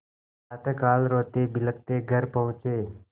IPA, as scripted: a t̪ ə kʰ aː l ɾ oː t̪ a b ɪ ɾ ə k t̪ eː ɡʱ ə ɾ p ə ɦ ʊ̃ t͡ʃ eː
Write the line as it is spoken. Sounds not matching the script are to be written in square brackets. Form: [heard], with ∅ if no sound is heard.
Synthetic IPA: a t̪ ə [k] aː l ɾ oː t̪ [e] b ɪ [l] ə k t̪ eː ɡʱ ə ɾ p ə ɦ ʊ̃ t͡ʃ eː